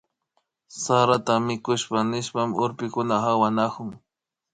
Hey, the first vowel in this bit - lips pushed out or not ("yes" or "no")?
no